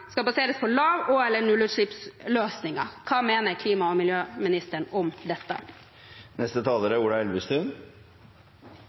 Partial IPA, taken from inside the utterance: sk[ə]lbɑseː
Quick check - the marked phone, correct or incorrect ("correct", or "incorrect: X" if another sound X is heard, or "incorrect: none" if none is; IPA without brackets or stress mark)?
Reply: incorrect: ɑ